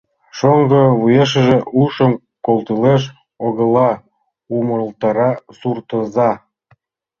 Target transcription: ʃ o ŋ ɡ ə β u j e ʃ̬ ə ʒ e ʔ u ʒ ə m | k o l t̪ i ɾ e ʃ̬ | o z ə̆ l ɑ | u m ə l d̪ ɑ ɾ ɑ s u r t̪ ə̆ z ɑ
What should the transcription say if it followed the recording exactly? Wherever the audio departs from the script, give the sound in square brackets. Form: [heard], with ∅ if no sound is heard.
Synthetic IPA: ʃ o ŋ ɡ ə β u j e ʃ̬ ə ʒ e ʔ u [ʃ] ə m | k o l t̪ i [l] e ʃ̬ | o [ɣ] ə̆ l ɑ | u m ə l [t̪] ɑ ɾ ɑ s u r t̪ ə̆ z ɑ